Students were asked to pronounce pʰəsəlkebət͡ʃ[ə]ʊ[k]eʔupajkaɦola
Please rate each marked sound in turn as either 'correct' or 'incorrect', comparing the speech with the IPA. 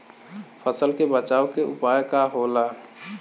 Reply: incorrect: a, correct

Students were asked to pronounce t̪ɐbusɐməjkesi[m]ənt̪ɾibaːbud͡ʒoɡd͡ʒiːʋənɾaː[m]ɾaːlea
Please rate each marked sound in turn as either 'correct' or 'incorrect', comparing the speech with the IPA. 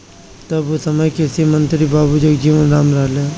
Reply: correct, correct

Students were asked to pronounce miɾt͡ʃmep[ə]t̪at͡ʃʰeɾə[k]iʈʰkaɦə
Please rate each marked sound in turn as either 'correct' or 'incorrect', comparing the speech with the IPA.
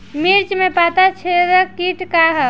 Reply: incorrect: a, correct

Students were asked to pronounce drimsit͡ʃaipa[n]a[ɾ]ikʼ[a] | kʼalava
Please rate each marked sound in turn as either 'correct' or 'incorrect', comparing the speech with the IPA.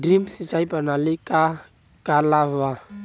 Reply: correct, incorrect: l, correct

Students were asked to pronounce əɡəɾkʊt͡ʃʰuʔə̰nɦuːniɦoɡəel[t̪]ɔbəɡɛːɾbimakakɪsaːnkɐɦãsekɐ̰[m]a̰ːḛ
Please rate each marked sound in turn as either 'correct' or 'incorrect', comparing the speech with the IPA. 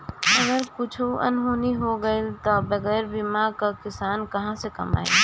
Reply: correct, correct

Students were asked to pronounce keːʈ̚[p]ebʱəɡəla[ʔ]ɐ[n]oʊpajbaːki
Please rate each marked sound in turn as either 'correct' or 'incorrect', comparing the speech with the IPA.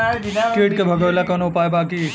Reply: incorrect: k, incorrect: k, correct

